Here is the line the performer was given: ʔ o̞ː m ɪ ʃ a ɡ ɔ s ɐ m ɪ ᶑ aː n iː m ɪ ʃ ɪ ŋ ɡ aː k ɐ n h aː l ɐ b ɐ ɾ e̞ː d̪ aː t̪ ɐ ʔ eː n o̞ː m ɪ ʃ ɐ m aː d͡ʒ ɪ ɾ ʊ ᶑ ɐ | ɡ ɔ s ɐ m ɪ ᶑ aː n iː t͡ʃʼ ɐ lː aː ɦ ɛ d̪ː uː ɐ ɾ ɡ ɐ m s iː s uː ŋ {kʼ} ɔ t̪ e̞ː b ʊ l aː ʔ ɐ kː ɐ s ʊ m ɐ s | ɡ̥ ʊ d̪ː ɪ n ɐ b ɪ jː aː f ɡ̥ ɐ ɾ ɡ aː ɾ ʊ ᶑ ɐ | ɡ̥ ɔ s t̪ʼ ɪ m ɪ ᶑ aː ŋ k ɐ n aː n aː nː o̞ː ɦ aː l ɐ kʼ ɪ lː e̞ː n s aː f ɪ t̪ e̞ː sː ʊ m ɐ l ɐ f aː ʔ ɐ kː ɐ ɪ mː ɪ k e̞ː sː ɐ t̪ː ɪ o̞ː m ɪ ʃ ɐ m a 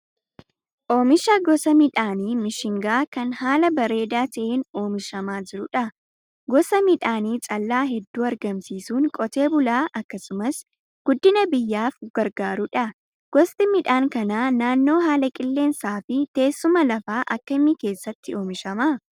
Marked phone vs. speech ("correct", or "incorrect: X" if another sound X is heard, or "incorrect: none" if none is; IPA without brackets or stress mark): correct